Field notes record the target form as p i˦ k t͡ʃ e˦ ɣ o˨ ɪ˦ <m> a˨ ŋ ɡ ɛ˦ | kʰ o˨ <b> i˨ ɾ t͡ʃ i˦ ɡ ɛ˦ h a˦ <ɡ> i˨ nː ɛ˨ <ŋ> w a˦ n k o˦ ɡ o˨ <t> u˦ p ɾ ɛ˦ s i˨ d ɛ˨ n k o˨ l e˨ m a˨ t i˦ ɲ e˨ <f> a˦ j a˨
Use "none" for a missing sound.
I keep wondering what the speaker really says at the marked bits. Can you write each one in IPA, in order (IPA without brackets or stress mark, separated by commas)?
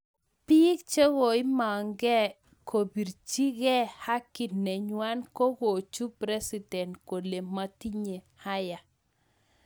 m, b, k, ɲ, t͡ʃ, h